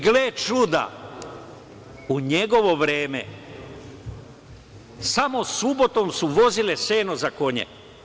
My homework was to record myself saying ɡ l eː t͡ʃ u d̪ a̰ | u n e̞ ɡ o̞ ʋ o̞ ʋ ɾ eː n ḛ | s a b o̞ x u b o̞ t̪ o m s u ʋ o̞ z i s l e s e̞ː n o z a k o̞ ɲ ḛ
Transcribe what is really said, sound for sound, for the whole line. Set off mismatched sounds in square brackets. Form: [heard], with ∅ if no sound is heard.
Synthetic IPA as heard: ɡ l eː t͡ʃ u d̪ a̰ | u [ɲ] e̞ ɡ o̞ ʋ o̞ ʋ ɾ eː [m] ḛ | s a [m] o̞ [s] u b o̞ t̪ o m s u ʋ o̞ z i [∅] l e s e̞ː n o z a k o̞ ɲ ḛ